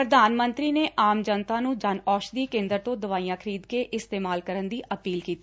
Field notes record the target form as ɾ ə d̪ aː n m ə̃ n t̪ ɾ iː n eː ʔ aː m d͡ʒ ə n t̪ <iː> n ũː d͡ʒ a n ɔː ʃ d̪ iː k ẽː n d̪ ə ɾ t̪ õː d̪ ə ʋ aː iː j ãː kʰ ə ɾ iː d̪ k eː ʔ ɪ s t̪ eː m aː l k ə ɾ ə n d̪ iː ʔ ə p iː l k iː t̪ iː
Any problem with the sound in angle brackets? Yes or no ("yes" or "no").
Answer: yes